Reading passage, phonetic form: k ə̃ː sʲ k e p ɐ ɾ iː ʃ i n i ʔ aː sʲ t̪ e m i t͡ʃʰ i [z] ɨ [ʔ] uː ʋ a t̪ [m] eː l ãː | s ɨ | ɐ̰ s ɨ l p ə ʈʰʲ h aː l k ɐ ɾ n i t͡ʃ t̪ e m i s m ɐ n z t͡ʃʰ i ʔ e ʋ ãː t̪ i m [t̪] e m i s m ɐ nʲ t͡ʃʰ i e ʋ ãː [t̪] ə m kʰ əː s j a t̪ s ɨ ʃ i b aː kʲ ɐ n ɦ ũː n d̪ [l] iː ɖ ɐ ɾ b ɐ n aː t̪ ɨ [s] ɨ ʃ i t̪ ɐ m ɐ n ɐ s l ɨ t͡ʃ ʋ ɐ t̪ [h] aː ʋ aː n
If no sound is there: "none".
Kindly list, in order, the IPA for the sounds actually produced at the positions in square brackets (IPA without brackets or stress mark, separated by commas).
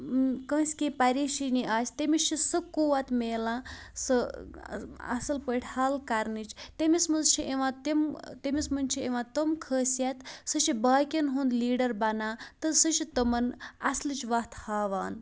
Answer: s, k, m, t̪, t̪, l, s, h